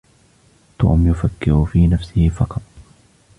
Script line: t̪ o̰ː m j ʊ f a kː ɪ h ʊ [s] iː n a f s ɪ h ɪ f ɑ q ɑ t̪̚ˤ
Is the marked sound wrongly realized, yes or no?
yes